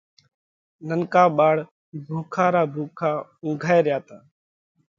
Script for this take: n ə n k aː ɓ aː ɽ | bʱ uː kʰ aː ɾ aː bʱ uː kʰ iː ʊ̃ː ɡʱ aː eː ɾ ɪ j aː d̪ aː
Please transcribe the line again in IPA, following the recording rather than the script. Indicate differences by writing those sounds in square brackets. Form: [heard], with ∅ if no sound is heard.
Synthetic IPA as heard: n ə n k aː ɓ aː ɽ | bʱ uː kʰ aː ɾ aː bʱ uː kʰ [aː] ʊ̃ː ɡʱ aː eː ɾ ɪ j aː [t̪] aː

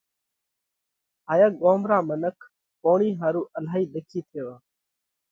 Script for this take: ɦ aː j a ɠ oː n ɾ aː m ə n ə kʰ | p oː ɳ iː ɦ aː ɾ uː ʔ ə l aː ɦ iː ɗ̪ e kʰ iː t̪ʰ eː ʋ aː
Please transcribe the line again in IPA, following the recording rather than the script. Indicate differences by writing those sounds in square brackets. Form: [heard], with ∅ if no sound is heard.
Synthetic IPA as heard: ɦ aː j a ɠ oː [m] ɾ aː m ə n ə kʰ | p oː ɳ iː ɦ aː ɾ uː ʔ ə l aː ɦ iː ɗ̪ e kʰ iː t̪ʰ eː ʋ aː

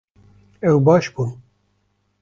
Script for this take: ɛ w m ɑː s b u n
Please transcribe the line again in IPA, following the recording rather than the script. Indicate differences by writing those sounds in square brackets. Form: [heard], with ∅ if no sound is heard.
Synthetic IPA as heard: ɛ w [b] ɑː [ʃ] b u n

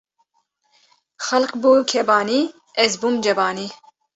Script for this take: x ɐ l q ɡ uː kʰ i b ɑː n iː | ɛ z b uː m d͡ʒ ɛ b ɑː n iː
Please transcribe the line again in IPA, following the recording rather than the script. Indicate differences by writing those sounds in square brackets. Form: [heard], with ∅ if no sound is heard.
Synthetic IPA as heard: x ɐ l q [b] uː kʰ [ɛ] b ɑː n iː | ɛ z b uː m d͡ʒ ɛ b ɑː n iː

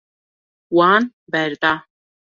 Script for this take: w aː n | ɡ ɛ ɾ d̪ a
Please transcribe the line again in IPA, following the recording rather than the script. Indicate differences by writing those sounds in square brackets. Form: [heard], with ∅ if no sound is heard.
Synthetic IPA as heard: w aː n | [b] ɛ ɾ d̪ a

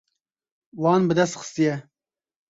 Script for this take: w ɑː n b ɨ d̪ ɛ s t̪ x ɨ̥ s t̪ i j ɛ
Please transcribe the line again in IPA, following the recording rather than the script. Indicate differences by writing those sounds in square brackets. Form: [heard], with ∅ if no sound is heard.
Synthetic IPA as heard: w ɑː n b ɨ d̪ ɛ s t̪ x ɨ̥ s t̪ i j ɛ

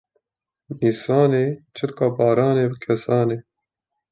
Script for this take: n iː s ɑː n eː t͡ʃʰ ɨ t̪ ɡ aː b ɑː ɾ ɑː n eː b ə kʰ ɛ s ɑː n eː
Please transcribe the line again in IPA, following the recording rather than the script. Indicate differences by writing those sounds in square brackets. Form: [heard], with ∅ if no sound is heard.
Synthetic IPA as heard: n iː s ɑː n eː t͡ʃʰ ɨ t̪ [k] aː b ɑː ɾ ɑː n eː b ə kʰ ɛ s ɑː n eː

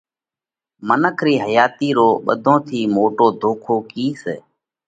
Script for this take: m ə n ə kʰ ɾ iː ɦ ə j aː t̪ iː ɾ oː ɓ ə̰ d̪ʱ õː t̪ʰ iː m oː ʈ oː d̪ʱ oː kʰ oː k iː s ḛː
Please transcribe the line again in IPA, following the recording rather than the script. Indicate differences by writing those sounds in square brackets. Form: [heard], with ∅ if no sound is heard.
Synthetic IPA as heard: m ə n ə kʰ ɾ iː ɦ ə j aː t̪ iː ɾ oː ɓ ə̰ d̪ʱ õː t̪ʰ iː m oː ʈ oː d̪ʱ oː kʰ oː k iː s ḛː

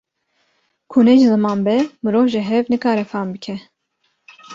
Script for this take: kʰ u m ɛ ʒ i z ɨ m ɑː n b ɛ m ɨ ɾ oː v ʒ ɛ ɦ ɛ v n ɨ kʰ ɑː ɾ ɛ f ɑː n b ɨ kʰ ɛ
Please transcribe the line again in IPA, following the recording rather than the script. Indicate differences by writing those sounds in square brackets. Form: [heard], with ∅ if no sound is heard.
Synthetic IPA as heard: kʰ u [n] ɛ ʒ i z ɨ m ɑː n b ɛ m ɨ ɾ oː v ʒ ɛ ɦ ɛ v n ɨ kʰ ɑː ɾ ɛ f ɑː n b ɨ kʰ ɛ

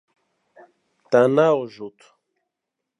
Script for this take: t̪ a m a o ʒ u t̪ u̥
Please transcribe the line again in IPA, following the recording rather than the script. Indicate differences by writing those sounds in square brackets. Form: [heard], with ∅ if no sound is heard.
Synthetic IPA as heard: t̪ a [n] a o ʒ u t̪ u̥

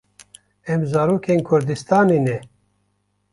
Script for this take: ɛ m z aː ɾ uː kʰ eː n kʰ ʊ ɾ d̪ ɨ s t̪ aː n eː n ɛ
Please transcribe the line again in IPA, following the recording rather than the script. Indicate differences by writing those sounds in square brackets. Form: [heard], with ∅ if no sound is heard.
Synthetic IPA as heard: ɛ m z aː ɾ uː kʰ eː n kʰ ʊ ɾ d̪ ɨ s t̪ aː n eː n ɛ

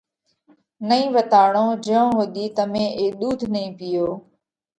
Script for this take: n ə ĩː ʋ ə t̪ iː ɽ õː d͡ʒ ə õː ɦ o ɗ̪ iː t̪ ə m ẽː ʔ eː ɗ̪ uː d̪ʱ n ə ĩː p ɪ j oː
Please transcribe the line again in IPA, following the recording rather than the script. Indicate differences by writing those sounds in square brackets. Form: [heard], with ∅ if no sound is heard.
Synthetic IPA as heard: n ə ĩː ʋ ə t̪ [aː] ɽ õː d͡ʒ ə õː ɦ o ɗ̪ iː t̪ ə m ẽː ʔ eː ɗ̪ uː d̪ʱ n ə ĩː p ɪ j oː

